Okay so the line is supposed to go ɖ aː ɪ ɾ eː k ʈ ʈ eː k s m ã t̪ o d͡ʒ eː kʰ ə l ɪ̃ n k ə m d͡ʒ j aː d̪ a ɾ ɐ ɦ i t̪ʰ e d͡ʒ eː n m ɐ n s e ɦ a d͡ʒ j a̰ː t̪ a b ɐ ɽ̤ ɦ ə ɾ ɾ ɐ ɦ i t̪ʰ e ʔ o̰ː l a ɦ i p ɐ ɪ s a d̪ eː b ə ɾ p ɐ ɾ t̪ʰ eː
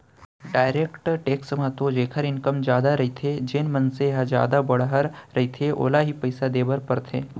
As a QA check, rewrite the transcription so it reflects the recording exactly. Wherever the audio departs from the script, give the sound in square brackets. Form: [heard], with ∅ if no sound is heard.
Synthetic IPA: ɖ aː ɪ ɾ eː k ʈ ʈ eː k s m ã t̪ o d͡ʒ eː kʰ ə [ɾ] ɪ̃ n k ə m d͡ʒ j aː d̪ a ɾ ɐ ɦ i t̪ʰ e d͡ʒ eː n m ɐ n s e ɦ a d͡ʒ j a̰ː [d̪] a b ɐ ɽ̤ ɦ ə ɾ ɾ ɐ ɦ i t̪ʰ e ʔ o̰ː l a ɦ i p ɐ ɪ s a d̪ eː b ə ɾ p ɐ ɾ t̪ʰ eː

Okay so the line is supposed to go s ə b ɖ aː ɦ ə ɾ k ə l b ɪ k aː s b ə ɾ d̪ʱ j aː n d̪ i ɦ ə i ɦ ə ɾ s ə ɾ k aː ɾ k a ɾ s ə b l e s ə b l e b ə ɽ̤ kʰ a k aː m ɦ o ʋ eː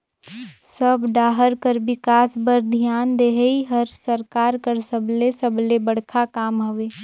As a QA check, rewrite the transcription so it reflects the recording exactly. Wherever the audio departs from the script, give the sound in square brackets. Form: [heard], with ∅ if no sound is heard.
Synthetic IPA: s ə b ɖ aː ɦ ə ɾ k ə [ɾ] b ɪ k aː s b ə ɾ d̪ʱ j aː n d̪ [e] ɦ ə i ɦ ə ɾ s ə ɾ k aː ɾ k [ə] ɾ s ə b l e s ə b l e b ə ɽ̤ kʰ a k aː m ɦ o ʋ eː

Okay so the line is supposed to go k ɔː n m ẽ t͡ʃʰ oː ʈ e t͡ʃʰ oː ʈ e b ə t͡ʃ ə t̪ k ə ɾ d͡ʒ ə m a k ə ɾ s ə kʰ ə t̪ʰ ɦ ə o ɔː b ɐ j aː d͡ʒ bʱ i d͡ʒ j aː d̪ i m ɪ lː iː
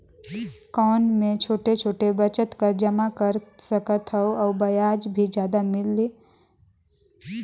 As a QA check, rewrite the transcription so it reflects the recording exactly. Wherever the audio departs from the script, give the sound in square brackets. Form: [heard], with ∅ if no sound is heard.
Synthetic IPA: k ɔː n m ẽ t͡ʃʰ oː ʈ e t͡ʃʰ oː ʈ e b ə t͡ʃ ə t̪ k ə ɾ d͡ʒ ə m a k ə ɾ s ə [k] ə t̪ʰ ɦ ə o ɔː b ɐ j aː d͡ʒ bʱ i d͡ʒ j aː d̪ [a] m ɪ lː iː

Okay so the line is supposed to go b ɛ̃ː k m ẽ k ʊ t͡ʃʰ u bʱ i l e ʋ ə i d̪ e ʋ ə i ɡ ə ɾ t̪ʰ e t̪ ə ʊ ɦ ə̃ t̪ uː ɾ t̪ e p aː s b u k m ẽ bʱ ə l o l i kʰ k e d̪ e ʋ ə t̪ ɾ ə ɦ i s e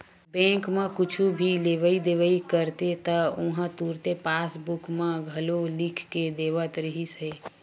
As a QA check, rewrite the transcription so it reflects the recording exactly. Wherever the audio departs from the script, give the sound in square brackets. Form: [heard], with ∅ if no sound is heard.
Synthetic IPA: b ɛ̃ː k m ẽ k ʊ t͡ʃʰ u bʱ i l e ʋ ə i d̪ e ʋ ə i [k] ə ɾ [t̪] e t̪ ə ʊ ɦ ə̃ t̪ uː ɾ t̪ e p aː s b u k m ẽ [ɡʱ] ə l o l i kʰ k e d̪ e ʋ ə t̪ ɾ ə ɦ i s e

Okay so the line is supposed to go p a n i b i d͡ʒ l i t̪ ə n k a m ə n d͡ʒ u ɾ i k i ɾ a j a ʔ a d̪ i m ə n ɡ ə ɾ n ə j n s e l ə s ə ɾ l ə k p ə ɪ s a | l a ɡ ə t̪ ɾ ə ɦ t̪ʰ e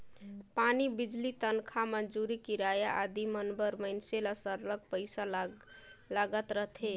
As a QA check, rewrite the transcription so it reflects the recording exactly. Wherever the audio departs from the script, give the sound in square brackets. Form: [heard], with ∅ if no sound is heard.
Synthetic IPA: p a n i b i d͡ʒ l i t̪ ə n [kʰ] a m ə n d͡ʒ u ɾ i k i ɾ a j a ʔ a d̪ i m ə n [b] ə ɾ [m] ə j n s e l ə s ə ɾ l ə k p ə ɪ s a | l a ɡ ə t̪ ɾ ə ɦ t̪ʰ e

